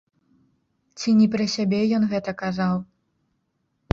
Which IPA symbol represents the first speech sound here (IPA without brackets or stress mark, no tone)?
t͡sʲ